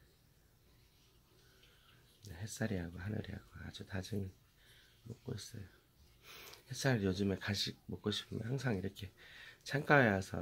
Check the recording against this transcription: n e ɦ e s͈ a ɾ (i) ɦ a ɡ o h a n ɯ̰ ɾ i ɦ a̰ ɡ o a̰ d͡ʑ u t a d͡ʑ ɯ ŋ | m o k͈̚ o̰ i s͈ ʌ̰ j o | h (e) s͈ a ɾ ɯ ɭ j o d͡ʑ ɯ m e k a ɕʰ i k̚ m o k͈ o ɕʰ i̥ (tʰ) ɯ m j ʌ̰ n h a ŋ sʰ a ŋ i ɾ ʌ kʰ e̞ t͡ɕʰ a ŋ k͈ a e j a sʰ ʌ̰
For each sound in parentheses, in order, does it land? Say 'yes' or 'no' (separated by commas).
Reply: yes, yes, no